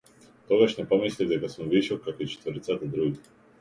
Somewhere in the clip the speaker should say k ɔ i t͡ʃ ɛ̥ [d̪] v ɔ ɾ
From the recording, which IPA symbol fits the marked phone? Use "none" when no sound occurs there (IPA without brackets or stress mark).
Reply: t̪